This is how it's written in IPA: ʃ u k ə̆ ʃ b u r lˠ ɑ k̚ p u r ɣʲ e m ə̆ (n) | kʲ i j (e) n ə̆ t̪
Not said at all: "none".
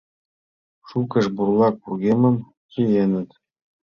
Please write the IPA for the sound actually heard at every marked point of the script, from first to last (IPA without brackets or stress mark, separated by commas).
m, e